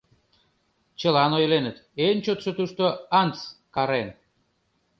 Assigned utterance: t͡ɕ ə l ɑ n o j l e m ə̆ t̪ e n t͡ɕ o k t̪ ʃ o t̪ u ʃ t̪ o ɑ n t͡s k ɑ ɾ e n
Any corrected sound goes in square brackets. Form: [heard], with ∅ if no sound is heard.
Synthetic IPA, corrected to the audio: t͡ɕ ə l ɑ n o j l e [n] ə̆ t̪ e n t͡ɕ o [∅] t̪ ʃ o t̪ u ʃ t̪ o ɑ n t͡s k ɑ ɾ e n